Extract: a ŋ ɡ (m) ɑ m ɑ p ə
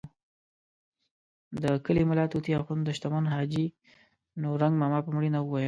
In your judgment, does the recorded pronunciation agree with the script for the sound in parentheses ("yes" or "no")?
yes